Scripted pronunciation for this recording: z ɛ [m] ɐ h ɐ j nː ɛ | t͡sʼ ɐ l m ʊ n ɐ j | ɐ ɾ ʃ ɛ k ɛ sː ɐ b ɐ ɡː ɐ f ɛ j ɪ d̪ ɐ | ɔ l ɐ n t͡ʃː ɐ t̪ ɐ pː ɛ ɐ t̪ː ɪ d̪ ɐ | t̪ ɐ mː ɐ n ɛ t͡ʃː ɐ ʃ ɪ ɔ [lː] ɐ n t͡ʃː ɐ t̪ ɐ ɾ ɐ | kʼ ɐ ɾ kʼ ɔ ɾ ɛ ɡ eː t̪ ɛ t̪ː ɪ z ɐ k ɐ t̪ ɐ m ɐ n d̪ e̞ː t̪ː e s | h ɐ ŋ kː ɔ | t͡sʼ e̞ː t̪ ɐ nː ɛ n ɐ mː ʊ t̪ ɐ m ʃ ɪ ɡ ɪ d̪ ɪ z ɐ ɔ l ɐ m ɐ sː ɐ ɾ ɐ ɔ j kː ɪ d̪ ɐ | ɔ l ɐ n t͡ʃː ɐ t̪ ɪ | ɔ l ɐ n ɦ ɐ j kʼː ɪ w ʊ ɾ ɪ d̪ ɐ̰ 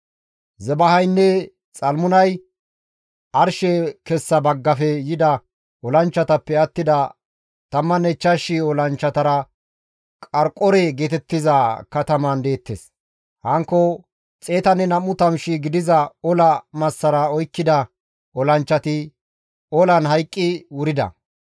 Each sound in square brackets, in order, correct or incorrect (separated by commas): incorrect, incorrect